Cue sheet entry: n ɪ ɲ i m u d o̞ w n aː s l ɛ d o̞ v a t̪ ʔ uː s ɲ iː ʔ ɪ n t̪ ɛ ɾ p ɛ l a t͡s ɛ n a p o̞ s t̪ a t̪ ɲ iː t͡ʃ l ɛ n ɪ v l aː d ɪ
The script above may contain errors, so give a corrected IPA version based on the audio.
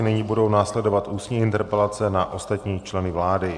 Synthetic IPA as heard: n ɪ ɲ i b u d o̞ w n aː s l ɛ d o̞ v a t̪ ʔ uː s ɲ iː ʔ ɪ n t̪ ɛ ɾ p ɛ l a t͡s ɛ n a ʔ o̞ s t̪ a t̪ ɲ iː t͡ʃ l ɛ n ɪ v l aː d ɪ

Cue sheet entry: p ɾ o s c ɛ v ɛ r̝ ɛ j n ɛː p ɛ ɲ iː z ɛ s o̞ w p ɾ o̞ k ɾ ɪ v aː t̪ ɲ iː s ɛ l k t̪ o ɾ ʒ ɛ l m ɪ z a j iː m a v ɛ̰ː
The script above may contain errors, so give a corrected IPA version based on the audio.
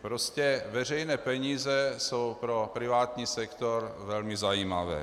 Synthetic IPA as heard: p ɾ o s c ɛ v ɛ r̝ ɛ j n ɛː p ɛ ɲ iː z ɛ s o̞ w p ɾ o̞ p ɾ ɪ v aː t̪ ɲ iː s ɛ k t̪ o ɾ v ɛ l m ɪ z a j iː m a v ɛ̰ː

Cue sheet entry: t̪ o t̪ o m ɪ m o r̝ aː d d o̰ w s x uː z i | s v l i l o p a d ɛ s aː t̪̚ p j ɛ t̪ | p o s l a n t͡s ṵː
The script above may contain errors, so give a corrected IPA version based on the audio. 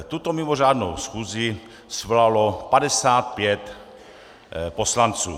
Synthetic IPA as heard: t̪ u t̪ o m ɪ m o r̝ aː d n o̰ w s x uː z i | s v l a l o p a d ɛ s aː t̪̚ p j ɛ t̪ | p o s l a n t͡s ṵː

